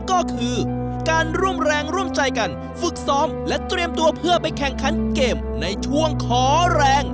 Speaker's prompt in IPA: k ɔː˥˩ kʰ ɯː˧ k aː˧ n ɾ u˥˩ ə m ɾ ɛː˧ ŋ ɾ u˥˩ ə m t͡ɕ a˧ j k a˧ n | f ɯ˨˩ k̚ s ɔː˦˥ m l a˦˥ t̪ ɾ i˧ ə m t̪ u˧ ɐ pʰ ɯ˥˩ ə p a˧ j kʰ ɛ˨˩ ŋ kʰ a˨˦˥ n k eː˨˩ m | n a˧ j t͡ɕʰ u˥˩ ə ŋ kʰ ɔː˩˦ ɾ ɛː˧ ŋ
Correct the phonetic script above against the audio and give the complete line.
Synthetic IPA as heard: k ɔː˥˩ kʰ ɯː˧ k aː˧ n ɾ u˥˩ ə m ɾ ɛː˧ ŋ ɾ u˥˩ ə m t͡ɕ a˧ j k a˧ n | f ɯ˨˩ k̚ s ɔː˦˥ m l ɛ˦˥ t̪ ɾ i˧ ə m t̪ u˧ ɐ pʰ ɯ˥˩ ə p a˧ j kʰ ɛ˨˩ ŋ kʰ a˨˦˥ n k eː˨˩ m | n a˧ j t͡ɕʰ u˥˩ ə ŋ kʰ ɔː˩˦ ɾ ɛː˧ ŋ